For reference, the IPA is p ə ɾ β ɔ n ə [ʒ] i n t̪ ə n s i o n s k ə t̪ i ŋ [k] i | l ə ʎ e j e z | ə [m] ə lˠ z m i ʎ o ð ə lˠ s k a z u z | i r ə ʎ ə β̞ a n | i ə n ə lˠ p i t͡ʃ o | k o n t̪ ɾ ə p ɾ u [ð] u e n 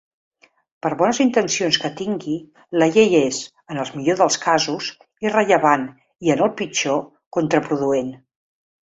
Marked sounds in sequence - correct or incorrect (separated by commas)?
incorrect, incorrect, incorrect, correct